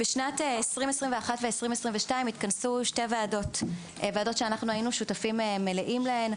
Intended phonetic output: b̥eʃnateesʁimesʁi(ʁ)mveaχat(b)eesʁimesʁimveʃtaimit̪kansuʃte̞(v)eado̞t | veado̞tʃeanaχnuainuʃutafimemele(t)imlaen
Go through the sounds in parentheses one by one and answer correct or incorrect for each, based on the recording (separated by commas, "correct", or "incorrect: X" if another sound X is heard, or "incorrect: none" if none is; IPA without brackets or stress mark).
incorrect: none, incorrect: v, correct, incorrect: ʔ